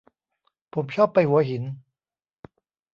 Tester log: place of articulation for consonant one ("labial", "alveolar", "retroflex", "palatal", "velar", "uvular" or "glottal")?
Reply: labial